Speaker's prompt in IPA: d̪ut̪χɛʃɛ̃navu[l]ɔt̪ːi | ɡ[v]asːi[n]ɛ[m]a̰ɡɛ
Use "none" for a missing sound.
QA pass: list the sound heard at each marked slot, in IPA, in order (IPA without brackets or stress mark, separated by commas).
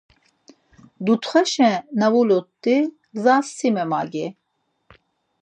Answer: l, z, m, m